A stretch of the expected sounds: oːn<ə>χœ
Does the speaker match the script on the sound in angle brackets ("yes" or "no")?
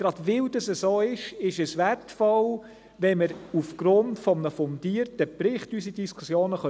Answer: yes